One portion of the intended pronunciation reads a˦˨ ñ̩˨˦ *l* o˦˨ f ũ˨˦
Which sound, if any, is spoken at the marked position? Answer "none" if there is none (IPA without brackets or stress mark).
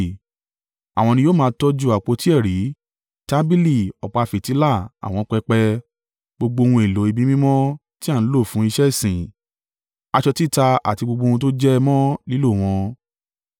l